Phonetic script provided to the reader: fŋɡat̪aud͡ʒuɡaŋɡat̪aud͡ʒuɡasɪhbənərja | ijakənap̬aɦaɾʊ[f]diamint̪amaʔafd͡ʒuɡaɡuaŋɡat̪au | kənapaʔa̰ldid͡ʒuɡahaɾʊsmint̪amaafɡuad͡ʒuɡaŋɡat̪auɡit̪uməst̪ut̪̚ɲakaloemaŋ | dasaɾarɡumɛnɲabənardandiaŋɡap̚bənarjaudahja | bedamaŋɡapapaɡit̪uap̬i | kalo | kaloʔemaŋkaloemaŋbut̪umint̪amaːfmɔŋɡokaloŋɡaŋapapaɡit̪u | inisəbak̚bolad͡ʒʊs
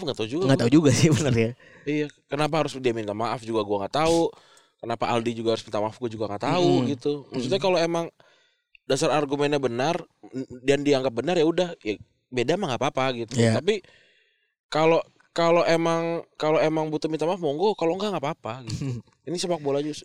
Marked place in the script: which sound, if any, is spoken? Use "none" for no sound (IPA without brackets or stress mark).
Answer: s